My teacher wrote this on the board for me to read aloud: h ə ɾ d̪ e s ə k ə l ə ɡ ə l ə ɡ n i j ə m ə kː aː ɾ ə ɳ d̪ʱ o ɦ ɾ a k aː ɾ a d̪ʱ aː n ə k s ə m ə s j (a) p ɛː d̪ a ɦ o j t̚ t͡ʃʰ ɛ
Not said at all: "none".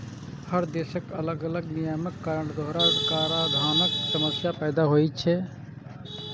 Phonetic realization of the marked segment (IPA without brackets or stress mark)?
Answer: a